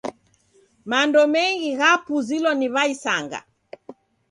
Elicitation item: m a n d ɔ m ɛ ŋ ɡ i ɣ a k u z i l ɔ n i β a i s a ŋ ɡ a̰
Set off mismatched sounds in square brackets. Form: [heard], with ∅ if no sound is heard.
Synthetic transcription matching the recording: m a n d ɔ m ɛ ŋ ɡ i ɣ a [p] u z i l ɔ n i β a i s a ŋ ɡ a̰

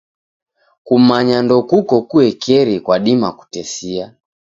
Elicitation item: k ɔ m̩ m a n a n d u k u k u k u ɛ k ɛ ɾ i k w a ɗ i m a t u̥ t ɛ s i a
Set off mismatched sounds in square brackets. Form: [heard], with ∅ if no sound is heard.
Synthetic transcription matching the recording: k [u] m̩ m a [ɲ] a n d [ɔ] k u k [ɔ] k u ɛ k ɛ ɾ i k w a ɗ i m a [k] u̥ t ɛ s i a

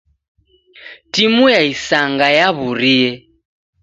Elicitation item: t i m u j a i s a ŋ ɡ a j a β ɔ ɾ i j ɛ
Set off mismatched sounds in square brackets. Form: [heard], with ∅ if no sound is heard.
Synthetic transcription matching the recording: t i m u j a i s a ŋ ɡ a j a β [u] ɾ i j ɛ

